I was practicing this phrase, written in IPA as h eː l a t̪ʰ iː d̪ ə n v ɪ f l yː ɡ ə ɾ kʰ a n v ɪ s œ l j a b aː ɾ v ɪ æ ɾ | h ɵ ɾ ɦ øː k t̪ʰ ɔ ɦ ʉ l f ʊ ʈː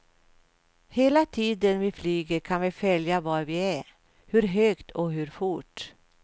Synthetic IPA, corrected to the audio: h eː l a t̪ʰ iː d̪ ə n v ɪ f l yː ɡ ə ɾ kʰ a n v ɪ f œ l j a v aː ɾ v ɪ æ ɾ | h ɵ ɾ ɦ øː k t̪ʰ ɔ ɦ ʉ ɾ f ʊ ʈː